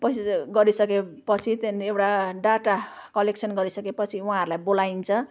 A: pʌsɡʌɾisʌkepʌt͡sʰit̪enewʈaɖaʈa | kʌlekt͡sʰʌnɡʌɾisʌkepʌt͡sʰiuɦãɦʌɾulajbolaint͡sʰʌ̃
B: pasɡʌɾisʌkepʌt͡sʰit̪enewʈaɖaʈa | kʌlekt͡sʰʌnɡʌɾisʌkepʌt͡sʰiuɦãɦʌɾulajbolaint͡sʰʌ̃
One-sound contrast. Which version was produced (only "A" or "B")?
A